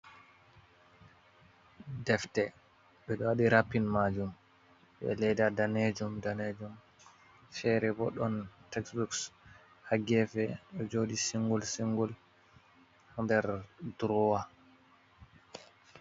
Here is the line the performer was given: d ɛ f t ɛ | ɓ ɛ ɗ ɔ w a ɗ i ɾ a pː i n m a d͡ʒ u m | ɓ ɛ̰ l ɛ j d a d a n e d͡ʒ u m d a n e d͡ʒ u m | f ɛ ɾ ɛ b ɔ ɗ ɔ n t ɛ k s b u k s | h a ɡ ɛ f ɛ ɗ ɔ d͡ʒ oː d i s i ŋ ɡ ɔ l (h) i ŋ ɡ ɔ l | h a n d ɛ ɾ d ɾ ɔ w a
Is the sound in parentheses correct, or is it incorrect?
incorrect